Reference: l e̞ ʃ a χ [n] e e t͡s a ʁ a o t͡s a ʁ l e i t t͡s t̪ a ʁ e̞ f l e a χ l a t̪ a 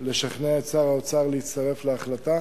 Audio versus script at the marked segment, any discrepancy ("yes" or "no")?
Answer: no